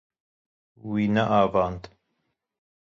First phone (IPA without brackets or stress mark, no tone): w